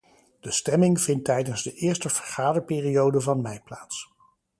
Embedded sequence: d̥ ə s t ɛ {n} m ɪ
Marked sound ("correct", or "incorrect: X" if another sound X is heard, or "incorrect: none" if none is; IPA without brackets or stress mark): incorrect: none